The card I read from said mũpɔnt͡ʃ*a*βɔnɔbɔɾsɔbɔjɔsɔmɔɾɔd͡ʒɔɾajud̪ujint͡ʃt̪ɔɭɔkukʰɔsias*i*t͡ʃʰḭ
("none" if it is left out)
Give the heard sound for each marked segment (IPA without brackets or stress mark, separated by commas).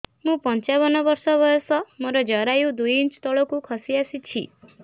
a, i